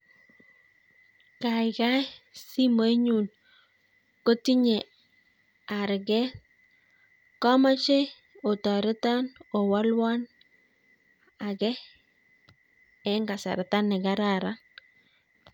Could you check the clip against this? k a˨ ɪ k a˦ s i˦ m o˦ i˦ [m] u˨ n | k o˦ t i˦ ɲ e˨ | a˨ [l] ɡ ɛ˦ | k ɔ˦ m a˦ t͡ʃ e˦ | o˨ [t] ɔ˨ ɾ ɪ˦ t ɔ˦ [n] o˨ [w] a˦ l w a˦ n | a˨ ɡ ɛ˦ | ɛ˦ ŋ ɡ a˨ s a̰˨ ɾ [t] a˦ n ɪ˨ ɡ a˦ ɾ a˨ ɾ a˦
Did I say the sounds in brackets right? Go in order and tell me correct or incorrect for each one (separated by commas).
incorrect, incorrect, correct, correct, correct, correct